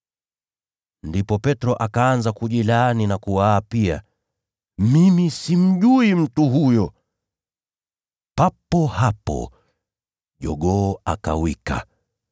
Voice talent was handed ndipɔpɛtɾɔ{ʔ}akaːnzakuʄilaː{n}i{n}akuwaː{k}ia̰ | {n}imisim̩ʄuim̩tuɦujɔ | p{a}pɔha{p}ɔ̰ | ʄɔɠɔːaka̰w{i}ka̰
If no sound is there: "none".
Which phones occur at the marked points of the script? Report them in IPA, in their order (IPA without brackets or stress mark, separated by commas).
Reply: ʔ, n, n, p, m, a, p, i